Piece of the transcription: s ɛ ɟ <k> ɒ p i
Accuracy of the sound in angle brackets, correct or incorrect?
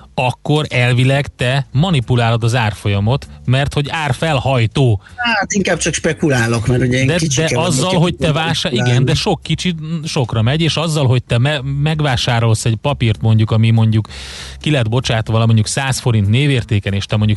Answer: incorrect